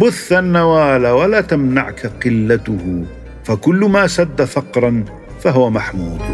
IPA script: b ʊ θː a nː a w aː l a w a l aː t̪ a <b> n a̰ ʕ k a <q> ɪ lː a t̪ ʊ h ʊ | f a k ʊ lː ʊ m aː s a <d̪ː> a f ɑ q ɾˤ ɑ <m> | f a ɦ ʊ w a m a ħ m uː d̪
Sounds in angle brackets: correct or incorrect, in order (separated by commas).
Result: incorrect, correct, correct, incorrect